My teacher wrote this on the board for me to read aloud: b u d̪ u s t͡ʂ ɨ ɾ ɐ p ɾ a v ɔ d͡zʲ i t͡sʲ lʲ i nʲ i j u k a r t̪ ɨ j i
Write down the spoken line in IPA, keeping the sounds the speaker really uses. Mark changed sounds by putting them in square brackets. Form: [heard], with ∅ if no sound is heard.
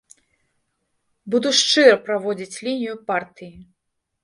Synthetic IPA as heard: b u d̪ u [ʂ] t͡ʂ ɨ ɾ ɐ p ɾ a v ɔ d͡zʲ i t͡sʲ lʲ i nʲ i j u [p] a r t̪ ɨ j i

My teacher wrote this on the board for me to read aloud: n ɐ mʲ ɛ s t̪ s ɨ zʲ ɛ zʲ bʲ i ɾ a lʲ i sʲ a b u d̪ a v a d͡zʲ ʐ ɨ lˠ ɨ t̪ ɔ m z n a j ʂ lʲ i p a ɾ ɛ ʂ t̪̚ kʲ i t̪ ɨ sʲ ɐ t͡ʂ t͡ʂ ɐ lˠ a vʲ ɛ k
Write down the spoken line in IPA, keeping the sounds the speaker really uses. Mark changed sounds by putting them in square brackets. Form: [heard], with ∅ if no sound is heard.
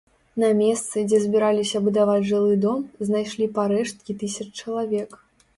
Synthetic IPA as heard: n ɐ mʲ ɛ s t̪ s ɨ [d͡zʲ] ɛ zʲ bʲ i ɾ a lʲ i sʲ [ɐ] b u d̪ a v a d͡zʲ ʐ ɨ lˠ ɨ [d̪] ɔ m z n a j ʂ lʲ i p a ɾ ɛ ʂ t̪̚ kʲ i t̪ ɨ sʲ ɐ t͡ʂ t͡ʂ ɐ lˠ a vʲ ɛ k

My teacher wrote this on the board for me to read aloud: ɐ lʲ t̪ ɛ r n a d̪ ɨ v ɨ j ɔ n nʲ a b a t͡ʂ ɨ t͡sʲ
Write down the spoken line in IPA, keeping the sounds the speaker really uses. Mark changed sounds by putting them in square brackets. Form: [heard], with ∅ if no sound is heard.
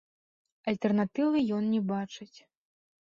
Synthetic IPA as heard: ɐ lʲ t̪ ɛ r n a [t̪] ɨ v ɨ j ɔ n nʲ [ɛ] b a t͡ʂ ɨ t͡sʲ

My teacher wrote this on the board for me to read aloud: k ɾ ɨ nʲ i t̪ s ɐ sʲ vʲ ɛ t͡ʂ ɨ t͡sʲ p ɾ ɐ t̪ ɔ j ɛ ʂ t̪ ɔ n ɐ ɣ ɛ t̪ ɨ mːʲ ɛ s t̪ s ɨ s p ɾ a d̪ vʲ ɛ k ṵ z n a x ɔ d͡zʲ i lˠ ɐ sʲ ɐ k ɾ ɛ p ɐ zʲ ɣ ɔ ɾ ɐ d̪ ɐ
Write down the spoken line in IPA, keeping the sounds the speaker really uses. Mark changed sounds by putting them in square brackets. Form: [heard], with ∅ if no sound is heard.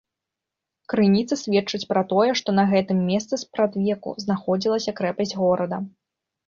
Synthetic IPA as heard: k ɾ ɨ nʲ i t̪ s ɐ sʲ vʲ ɛ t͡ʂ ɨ t͡sʲ p ɾ ɐ t̪ ɔ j ɛ ʂ t̪ ɔ n ɐ ɣ ɛ t̪ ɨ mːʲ ɛ s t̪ s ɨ s p ɾ a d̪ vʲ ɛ k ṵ z n a x ɔ d͡zʲ i lˠ ɐ sʲ ɐ k ɾ ɛ p ɐ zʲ ɣ ɔ ɾ ɐ d̪ ɐ

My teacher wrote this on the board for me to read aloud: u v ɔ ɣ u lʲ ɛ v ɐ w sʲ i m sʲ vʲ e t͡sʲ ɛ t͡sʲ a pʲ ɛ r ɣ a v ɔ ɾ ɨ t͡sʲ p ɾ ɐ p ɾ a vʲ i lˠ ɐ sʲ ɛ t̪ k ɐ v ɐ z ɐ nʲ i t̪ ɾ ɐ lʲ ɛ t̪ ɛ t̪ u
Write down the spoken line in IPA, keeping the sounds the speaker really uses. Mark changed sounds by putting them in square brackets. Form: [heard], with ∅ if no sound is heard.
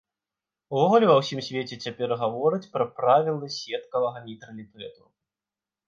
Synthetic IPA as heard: u v ɔ ɣ u lʲ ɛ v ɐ w sʲ i m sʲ vʲ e t͡sʲ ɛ t͡sʲ a pʲ ɛ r ɣ a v ɔ ɾ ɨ t͡sʲ p ɾ ɐ p ɾ a vʲ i lˠ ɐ sʲ ɛ t̪ k ɐ v ɐ [ɣ] ɐ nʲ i t̪ ɾ ɐ lʲ [i] t̪ ɛ t̪ u

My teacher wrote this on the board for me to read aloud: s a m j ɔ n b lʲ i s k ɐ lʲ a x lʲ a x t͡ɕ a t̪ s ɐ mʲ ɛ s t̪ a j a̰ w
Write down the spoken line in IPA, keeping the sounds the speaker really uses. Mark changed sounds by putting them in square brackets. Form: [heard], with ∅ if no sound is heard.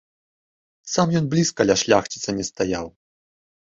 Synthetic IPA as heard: s a m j ɔ n b lʲ i s k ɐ lʲ a [ʂ] lʲ a x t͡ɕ [i] t̪ s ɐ [nʲ] ɛ s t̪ a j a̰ w

